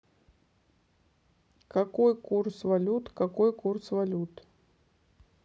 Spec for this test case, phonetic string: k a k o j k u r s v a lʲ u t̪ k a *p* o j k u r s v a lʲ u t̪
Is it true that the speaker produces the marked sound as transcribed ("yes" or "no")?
no